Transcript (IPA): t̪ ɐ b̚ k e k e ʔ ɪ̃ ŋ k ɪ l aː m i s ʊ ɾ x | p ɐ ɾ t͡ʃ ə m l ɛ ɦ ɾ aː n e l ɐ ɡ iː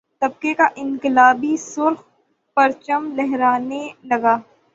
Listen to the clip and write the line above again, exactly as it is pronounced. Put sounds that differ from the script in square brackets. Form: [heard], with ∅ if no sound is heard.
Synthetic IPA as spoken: t̪ ɐ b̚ k e k [a] ʔ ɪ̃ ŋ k ɪ l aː [b] i s ʊ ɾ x | p ɐ ɾ t͡ʃ ə m l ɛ ɦ ɾ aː n e l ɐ ɡ [aː]